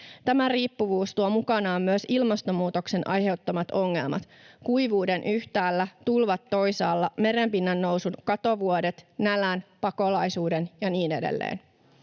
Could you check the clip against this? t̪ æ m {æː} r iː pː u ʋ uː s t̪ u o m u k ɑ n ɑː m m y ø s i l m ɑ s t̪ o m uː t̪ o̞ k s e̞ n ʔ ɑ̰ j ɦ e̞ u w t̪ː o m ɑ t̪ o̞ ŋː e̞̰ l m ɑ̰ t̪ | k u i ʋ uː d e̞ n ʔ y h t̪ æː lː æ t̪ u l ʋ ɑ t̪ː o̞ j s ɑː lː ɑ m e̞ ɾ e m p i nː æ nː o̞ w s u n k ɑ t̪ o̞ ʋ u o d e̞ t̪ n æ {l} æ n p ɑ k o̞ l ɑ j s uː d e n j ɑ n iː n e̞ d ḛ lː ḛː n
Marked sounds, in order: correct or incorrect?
incorrect: æ, correct

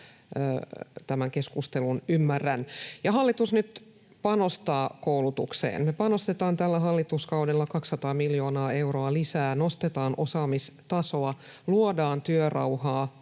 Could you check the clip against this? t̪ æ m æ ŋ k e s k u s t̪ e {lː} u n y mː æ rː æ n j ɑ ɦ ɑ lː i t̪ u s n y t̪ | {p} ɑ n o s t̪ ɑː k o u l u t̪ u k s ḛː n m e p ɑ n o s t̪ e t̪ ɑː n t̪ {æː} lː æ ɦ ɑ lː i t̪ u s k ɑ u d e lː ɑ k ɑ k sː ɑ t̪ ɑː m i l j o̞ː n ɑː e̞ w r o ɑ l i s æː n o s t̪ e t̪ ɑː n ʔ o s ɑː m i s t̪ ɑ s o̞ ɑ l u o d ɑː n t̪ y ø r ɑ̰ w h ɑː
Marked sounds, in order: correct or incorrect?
incorrect: l, correct, incorrect: æ

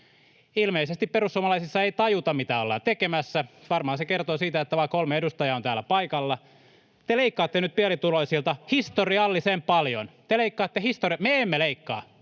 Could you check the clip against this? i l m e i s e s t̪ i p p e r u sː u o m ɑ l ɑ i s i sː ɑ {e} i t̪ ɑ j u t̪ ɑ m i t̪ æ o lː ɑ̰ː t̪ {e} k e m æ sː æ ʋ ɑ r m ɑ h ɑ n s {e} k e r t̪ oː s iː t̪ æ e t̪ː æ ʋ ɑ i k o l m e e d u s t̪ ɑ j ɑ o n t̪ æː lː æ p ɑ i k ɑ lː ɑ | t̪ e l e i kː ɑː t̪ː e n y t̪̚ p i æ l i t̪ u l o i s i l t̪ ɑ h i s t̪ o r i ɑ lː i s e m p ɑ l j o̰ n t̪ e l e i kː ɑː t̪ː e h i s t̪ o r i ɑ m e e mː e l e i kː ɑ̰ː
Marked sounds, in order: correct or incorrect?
correct, correct, correct

